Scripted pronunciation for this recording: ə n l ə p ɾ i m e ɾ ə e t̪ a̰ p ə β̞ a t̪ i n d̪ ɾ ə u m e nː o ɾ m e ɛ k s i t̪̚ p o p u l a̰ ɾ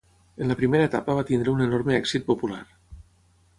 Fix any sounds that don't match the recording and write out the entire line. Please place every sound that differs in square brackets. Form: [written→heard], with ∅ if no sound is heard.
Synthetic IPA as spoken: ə n l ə p ɾ i m e ɾ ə e t̪ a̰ p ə β̞ a t̪ i n d̪ ɾ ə u [m→n] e [nː→n] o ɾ m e ɛ k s i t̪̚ p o p u l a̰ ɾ